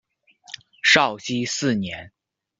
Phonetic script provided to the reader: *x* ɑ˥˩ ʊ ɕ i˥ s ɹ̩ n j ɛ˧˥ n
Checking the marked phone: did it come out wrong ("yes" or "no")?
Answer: yes